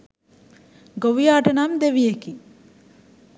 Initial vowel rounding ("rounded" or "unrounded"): rounded